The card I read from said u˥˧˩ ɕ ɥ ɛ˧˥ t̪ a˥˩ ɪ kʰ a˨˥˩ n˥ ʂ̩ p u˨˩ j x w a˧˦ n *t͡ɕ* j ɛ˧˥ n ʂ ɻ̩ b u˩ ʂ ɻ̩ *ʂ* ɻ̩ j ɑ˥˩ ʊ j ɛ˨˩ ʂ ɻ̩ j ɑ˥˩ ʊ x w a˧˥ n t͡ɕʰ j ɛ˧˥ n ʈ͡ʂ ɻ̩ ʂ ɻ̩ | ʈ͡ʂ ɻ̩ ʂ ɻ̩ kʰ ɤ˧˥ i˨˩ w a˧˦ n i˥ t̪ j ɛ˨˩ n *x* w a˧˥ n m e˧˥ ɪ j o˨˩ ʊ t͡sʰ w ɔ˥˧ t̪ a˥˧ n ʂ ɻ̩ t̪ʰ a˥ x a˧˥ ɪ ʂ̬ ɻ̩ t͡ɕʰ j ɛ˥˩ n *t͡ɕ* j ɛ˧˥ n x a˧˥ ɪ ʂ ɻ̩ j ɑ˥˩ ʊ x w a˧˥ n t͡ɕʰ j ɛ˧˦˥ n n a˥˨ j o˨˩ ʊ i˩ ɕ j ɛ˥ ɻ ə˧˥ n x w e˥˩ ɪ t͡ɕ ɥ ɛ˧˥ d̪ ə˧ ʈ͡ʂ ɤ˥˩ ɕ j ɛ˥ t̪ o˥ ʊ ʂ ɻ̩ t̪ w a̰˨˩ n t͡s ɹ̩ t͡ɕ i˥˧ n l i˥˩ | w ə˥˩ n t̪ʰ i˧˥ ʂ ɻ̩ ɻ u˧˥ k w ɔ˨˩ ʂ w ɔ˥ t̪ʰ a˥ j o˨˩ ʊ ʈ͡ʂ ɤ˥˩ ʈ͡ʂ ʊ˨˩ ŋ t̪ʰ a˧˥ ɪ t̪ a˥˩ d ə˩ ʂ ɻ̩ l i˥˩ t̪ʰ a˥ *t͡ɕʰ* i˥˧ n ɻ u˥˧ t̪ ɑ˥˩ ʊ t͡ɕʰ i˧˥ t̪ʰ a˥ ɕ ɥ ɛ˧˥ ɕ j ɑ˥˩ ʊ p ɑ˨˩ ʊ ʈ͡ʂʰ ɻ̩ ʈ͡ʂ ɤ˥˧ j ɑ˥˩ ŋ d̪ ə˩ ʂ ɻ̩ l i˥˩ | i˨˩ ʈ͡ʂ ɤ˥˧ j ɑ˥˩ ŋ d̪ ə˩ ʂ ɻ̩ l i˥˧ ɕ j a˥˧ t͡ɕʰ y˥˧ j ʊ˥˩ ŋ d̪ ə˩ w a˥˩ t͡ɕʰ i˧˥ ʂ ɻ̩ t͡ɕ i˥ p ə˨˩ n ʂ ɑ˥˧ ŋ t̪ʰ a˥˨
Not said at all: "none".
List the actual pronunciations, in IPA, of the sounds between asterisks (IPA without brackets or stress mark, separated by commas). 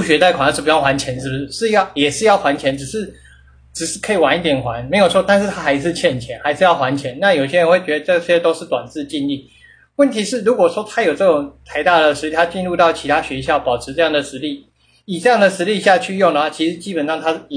t͡ɕʰ, ʂ, x, t͡ɕʰ, t͡ɕ